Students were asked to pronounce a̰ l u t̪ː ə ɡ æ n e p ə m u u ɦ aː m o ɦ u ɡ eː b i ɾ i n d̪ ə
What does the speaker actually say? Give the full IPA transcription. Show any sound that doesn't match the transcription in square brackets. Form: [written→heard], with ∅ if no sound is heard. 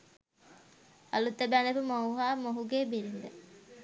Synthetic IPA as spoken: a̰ l u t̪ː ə [ɡ→b] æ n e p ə m [u→o] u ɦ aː m o ɦ u ɡ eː b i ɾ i n d̪ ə